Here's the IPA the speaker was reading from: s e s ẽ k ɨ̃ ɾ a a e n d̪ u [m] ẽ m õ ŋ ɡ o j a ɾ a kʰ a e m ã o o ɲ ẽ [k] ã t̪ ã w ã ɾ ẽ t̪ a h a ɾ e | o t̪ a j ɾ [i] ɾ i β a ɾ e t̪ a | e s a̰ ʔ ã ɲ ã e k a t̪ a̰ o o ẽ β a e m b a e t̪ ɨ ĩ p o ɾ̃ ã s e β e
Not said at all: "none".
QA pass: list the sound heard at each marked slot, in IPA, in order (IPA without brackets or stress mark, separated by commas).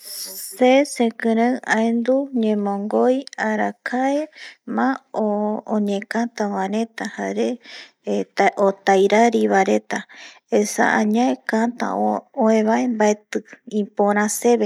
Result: ɲ, k, a